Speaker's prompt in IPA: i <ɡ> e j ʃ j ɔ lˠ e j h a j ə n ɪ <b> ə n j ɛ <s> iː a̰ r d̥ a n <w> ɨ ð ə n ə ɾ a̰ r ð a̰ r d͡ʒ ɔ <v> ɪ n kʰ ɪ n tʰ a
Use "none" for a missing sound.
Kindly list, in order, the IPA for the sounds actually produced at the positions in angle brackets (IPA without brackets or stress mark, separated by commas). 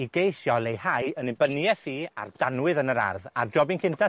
ɡ, b, θ, w, b